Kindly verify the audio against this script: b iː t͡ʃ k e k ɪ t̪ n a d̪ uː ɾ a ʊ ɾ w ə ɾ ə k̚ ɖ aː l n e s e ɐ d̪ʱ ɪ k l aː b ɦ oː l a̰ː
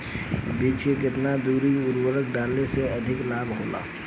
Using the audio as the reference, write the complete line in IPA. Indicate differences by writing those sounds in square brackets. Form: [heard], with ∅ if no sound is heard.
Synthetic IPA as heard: b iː t͡ʃ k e k ɪ t̪ n a d̪ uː ɾ [i] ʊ ɾ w ə ɾ ə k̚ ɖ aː l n e s e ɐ d̪ʱ ɪ k l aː b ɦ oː l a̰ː